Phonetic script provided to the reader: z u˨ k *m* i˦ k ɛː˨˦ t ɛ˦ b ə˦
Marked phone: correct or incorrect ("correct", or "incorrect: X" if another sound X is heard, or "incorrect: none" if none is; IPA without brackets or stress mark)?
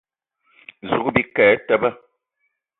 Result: incorrect: b